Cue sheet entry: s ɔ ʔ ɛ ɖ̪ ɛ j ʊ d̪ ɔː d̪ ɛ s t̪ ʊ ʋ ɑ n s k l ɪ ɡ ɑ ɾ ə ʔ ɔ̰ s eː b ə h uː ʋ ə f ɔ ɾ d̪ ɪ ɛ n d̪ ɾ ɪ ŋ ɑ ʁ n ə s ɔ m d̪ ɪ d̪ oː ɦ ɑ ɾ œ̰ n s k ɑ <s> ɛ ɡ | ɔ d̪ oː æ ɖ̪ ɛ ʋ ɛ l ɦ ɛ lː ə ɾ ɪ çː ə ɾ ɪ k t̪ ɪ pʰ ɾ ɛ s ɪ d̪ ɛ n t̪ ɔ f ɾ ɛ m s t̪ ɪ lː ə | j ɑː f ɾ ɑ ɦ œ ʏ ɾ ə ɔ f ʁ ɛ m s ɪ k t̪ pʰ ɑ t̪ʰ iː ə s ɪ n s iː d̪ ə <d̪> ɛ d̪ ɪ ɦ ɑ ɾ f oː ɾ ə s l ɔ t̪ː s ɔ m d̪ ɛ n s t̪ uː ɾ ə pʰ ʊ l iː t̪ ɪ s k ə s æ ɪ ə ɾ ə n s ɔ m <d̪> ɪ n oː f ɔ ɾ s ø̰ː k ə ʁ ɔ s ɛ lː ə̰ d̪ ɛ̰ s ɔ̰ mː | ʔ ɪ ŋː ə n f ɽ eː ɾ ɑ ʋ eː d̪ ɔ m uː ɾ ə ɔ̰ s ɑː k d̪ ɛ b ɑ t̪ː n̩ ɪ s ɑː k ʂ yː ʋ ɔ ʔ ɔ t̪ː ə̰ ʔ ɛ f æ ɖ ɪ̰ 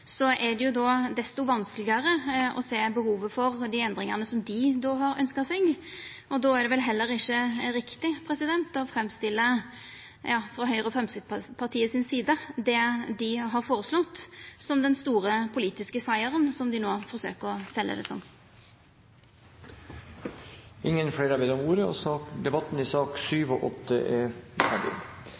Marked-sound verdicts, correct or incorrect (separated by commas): correct, correct, correct